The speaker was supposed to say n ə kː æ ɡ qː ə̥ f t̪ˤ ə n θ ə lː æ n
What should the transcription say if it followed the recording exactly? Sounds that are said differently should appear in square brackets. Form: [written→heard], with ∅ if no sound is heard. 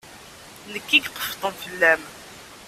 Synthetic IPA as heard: n ə kː [æ→i] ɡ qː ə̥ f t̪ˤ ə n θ ə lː æ [n→m]